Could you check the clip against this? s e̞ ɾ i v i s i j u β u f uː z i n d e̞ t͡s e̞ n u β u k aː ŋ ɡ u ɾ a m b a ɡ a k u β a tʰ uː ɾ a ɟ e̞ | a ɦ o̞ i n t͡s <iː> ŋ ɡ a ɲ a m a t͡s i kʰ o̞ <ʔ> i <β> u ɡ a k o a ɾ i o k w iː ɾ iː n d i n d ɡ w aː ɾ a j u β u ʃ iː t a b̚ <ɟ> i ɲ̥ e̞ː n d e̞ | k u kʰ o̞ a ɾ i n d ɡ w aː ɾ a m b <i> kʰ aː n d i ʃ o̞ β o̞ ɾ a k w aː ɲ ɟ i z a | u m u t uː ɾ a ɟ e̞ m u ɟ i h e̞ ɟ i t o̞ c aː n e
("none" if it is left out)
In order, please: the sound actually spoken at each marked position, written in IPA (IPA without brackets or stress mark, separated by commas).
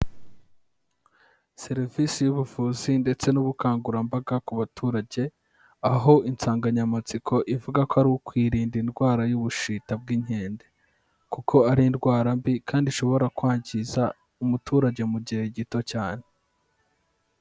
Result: aː, ʔ, v, ɡ, i